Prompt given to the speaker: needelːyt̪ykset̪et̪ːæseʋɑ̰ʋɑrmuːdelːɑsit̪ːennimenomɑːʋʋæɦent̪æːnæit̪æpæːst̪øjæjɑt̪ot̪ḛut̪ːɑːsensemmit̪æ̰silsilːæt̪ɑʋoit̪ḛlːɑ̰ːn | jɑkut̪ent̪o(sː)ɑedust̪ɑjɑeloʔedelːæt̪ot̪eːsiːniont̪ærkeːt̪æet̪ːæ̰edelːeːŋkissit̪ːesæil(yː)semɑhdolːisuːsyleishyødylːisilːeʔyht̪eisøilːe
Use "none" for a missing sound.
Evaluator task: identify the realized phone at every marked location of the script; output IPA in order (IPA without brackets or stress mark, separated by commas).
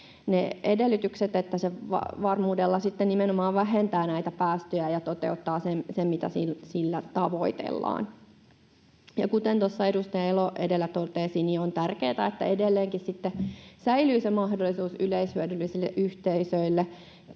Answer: sː, yː